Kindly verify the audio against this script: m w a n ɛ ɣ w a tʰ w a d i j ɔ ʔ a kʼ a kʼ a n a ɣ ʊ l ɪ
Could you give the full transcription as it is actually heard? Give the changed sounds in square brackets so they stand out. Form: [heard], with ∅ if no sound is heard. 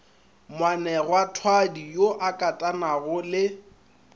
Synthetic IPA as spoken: m w a n ɛ ɣ w a tʰ w a d i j [o] ʔ a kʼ a [tʼ] a n a ɣ ʊ l ɪ